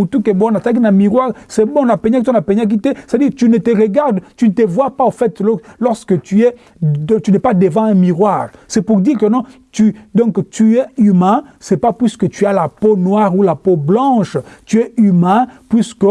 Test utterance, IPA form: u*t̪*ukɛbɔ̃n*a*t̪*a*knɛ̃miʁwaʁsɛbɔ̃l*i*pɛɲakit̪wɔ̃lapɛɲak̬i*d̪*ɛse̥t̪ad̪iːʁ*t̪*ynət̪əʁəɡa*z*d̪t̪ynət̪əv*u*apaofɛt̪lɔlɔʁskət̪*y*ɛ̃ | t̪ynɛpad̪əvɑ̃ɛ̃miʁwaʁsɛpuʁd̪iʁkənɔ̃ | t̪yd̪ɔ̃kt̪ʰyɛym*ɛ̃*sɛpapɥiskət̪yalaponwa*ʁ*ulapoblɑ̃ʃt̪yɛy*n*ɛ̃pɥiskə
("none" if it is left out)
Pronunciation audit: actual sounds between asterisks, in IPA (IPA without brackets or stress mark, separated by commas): t̪, a, a, a, t̪, t̪, ʁ, w, y, ɛ̃, ʁ, m